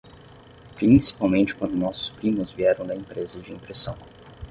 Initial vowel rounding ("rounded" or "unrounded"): unrounded